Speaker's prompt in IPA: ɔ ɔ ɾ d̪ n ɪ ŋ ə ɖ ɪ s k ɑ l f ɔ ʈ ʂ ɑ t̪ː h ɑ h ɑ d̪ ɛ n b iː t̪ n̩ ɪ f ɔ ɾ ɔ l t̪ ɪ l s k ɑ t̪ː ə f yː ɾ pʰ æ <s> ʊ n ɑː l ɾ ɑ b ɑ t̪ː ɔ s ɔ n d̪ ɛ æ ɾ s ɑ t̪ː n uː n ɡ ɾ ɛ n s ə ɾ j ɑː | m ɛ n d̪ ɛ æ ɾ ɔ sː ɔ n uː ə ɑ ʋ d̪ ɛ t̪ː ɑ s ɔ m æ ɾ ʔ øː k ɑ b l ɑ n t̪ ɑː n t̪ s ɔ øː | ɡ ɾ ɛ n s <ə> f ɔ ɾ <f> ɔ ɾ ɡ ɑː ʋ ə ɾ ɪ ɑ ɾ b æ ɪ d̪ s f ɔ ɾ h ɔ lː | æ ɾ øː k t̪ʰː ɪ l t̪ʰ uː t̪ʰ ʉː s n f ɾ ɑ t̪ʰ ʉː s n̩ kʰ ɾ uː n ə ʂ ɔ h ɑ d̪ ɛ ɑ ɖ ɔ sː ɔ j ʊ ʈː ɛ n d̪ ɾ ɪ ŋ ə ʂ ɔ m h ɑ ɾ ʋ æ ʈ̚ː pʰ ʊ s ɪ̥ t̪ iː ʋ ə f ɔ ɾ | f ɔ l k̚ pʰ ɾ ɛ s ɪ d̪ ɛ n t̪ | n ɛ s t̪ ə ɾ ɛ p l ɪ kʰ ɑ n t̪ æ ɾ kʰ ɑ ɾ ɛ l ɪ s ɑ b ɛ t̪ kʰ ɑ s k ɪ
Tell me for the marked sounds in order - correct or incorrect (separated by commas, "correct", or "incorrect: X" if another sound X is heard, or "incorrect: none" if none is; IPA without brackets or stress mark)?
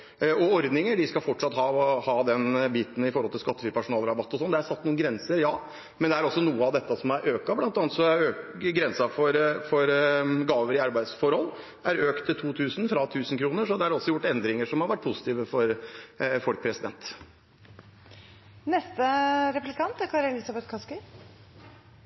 incorrect: ʂ, incorrect: ɑ, correct